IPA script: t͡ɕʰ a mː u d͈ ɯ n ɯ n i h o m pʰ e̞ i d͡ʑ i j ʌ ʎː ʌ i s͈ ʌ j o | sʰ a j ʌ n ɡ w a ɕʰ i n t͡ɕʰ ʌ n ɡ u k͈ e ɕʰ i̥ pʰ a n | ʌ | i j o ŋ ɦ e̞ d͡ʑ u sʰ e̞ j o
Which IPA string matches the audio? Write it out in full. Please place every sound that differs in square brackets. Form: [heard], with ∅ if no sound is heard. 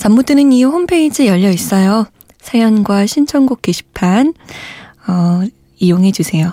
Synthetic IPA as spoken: [t͡ɕ] a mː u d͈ ɯ n ɯ n i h o m pʰ e̞ i d͡ʑ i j ʌ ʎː ʌ i s͈ ʌ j o | sʰ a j ʌ n ɡ w a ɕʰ i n t͡ɕʰ ʌ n ɡ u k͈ e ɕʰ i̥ pʰ a n | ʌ | i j o ŋ ɦ e̞ d͡ʑ u sʰ e̞ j o